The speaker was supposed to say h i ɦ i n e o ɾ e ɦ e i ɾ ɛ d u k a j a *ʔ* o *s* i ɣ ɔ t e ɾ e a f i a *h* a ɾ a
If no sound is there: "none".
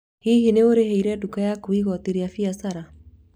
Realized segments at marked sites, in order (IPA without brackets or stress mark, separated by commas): k, none, s